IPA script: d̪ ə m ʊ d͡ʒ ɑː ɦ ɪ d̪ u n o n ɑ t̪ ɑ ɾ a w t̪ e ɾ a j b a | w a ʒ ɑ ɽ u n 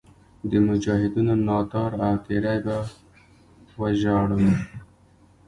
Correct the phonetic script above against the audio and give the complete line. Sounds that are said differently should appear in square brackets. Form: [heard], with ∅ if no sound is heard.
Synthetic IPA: d̪ ə m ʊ d͡ʒ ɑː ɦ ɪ d̪ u n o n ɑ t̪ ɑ ɾ a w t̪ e ɾ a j b a | w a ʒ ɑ ɽ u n